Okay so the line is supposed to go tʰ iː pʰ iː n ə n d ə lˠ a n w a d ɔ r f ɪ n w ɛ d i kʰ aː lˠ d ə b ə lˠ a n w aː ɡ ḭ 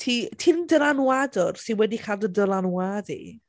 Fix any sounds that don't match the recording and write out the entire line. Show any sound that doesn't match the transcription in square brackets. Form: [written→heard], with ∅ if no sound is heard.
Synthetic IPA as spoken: tʰ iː [pʰ→tʰ] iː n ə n d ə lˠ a n w a d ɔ r [f→s] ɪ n w ɛ d i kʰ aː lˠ d ə [b→d] ə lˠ a n w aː [ɡ→d] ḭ